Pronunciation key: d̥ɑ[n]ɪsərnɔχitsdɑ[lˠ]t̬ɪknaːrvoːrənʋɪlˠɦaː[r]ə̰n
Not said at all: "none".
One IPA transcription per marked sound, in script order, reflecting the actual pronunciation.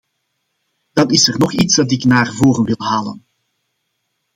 n, none, l

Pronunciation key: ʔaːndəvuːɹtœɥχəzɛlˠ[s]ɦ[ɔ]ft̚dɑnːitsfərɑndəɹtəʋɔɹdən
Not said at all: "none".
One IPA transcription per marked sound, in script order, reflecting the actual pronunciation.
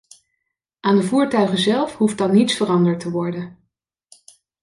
f, u

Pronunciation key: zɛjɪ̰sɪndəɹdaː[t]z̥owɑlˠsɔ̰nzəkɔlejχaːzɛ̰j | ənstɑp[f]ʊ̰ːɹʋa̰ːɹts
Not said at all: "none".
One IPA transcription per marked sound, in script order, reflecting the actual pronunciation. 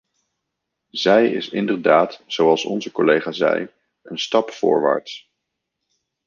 t, f

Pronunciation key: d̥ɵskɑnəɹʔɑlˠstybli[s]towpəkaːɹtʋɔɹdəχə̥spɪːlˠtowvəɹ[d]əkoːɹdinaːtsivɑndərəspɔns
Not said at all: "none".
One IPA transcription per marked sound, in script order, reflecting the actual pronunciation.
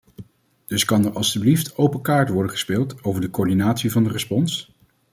f, d

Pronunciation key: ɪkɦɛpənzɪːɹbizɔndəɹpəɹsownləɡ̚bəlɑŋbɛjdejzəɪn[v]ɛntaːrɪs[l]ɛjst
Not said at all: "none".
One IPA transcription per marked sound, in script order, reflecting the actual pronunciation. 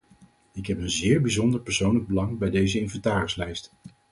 v, l

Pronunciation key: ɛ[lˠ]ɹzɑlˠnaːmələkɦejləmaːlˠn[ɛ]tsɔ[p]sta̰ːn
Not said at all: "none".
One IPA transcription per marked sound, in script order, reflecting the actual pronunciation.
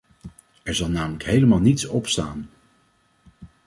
none, i, p

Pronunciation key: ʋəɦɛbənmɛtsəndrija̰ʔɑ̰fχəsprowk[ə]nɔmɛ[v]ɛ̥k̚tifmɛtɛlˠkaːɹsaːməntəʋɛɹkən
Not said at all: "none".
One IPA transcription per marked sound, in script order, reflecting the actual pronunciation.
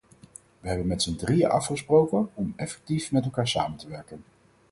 ə, f

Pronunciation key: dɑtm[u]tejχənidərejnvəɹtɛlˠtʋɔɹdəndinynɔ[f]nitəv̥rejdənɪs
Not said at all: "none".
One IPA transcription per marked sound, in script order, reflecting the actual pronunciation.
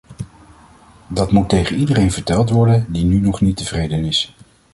u, χ

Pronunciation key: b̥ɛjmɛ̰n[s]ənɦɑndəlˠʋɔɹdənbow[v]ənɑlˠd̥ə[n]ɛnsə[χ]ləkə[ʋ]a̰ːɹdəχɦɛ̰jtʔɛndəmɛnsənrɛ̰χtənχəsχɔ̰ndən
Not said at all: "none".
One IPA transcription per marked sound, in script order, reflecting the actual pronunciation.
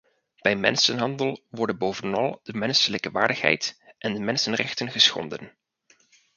s, v, m, none, ʋ

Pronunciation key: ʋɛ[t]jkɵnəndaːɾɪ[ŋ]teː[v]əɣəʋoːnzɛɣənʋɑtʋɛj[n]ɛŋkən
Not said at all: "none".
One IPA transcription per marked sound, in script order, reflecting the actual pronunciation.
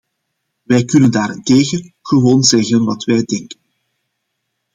none, n, ɣ, d

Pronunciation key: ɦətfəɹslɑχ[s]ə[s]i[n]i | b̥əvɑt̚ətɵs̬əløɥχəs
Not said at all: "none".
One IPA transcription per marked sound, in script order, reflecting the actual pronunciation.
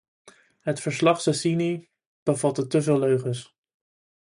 s, s, n

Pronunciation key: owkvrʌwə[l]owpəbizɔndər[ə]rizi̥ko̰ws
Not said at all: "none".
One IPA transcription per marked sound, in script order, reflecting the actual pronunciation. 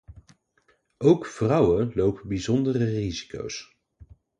l, ə

